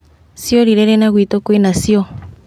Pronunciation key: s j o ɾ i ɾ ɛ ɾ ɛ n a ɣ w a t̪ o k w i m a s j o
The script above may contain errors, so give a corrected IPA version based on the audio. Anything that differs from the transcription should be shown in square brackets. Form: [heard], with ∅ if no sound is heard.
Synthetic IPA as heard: s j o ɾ i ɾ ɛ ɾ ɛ n a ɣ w [i] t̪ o k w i [n] a s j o

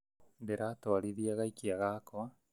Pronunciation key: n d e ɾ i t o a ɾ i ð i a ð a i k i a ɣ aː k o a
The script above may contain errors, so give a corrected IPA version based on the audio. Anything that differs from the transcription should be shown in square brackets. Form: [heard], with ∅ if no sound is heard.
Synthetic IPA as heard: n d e ɾ [a] t o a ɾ i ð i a [ɣ] a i k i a ɣ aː k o a

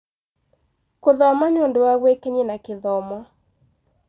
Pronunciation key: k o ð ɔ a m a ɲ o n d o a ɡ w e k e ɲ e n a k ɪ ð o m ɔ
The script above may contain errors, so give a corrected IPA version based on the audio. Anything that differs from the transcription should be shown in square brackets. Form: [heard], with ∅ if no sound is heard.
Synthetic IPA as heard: k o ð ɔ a m a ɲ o n d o a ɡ w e k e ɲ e n a k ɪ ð [ɔ] m ɔ

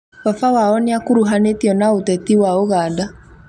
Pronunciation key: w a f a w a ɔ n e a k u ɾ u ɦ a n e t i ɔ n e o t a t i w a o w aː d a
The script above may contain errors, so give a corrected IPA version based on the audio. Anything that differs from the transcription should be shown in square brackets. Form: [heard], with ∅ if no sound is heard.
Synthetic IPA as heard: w a f a w a ɔ n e a k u ɾ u ɦ a n e t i ɔ n [a] o t [ɛ] t i w a o [ɣ] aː d a

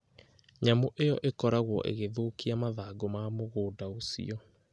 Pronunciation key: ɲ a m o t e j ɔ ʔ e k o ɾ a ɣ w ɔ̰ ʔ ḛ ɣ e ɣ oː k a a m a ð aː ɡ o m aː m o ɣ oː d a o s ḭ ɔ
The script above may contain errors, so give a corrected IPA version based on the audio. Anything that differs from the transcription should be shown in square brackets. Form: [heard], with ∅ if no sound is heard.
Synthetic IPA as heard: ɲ a m o [ʔ] e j ɔ ʔ e k [ɔ] ɾ a ɣ w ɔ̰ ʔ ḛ ɣ e [ð] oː k [i] a m a ð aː ɡ o m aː m o ɣ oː d a o s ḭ ɔ

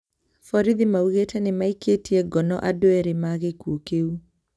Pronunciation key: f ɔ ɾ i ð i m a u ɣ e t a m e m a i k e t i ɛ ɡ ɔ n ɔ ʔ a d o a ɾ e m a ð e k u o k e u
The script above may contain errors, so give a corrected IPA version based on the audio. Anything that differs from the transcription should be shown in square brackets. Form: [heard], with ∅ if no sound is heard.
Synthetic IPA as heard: f ɔ ɾ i ð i m a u ɣ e t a [n] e m a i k e t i ɛ ɡ ɔ n ɔ ʔ a d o [ɛ] ɾ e m a [ɣ] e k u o k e u

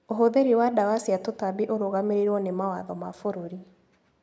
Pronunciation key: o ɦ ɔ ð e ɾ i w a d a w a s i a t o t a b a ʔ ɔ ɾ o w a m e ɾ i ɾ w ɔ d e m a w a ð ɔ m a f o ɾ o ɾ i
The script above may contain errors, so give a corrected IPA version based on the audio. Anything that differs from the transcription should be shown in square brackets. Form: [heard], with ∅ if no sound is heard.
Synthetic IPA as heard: o ɦ [o] ð e ɾ i w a d a w a s i a t o t a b [i] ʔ [o] ɾ o [ɣ] a m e ɾ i ɾ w ɔ [n] e m a w a ð ɔ m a f o ɾ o ɾ i

